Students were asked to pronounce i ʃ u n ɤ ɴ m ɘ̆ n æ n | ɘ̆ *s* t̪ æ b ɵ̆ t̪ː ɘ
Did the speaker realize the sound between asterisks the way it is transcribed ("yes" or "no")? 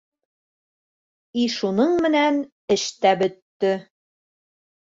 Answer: no